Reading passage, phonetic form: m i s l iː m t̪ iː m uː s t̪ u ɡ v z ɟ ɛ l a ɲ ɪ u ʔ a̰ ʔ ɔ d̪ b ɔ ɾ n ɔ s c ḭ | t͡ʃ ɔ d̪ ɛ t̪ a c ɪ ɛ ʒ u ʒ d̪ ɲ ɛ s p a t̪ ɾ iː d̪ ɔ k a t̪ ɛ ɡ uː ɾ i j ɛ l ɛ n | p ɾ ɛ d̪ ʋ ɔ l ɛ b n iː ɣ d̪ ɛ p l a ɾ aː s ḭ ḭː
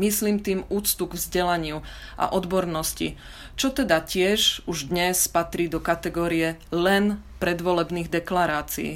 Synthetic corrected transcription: m i s l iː m t̪ iː m uː t͡s t̪ u ɡ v z ɟ ɛ l a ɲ ɪ u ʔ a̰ ʔ ɔ d̪ b ɔ ɾ n ɔ s c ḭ | t͡ʃ ɔ t̪ ɛ d̪ a c ɪ ɛ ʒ u ʒ d̪ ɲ ɛ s p a t̪ ɾ iː d̪ ɔ k a t̪ ɛ ɡ ɔː ɾ i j ɛ l ɛ n | p ɾ ɛ d̪ ʋ ɔ l ɛ b n iː ɣ d̪ ɛ k l a ɾ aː t͡s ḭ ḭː